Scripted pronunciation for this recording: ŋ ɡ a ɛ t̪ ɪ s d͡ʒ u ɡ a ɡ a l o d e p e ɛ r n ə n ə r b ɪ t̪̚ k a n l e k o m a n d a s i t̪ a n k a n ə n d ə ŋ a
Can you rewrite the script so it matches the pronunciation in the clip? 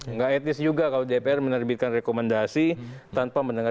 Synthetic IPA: ŋ ɡ a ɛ t̪ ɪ s d͡ʒ u ɡ a k a l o d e p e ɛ r m ə n ə r b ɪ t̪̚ k a n r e k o m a n d a s i t̪ a n p a m ə n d ə ŋ a